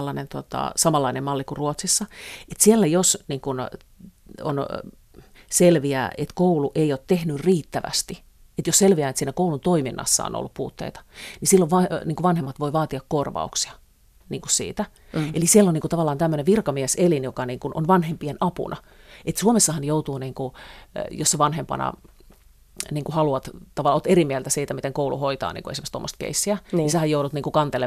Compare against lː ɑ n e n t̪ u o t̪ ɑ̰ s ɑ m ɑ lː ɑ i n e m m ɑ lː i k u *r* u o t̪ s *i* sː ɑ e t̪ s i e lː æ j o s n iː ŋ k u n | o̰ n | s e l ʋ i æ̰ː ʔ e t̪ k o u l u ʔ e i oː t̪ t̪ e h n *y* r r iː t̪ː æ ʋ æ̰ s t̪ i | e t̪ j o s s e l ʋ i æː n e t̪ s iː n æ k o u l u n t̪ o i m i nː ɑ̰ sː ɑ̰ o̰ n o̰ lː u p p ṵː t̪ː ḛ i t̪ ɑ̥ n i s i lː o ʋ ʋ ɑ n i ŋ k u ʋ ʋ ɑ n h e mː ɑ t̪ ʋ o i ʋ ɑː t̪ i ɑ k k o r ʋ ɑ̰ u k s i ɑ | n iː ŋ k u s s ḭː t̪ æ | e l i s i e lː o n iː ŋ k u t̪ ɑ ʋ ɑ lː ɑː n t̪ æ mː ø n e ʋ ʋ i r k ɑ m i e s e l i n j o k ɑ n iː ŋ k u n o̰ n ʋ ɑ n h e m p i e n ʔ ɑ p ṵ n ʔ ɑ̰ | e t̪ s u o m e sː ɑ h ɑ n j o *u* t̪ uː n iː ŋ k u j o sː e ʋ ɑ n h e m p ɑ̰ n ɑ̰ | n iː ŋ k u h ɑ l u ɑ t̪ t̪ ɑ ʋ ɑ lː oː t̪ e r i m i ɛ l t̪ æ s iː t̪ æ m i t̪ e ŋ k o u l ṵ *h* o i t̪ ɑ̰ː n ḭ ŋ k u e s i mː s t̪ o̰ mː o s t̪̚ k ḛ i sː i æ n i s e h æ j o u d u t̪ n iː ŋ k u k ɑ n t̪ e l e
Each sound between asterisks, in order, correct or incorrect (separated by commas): correct, correct, correct, correct, correct